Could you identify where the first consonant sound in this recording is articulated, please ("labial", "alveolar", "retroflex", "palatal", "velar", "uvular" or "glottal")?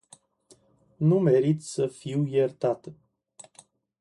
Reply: alveolar